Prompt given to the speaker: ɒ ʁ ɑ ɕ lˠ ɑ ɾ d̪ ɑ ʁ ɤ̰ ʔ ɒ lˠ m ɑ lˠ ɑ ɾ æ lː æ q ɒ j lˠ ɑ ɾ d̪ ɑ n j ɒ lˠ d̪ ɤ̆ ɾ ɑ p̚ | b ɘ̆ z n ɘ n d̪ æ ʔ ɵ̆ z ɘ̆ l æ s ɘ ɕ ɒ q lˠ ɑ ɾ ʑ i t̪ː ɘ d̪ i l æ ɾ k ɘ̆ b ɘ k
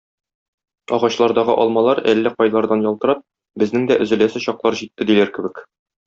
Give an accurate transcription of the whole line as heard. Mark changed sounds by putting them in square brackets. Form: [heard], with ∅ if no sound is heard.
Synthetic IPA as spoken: ɒ ʁ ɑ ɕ lˠ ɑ ɾ d̪ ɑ ʁ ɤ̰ ʔ ɒ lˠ m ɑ lˠ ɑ ɾ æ lː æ q ɒ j lˠ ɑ ɾ d̪ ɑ n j ɒ lˠ [t̪] ɤ̆ ɾ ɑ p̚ | b ɘ̆ z n ɘ [ŋ] d̪ æ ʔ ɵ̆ z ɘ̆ l æ s ɘ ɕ ɒ q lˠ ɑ ɾ ʑ i t̪ː ɘ d̪ i l æ ɾ k ɘ̆ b ɘ k